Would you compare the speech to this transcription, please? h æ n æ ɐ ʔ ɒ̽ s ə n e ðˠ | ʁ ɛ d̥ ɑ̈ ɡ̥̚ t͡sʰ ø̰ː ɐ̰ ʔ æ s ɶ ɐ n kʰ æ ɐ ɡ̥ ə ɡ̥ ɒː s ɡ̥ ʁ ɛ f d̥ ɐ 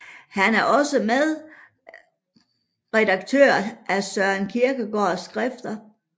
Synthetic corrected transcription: h æ n æ ɐ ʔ ɒ̽ s ə m e ðˠ | ʁ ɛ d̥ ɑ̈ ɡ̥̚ t͡sʰ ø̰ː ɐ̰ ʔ æ s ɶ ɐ n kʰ i ɐ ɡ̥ ə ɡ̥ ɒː s ɡ̥ ʁ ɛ f d̥ ɐ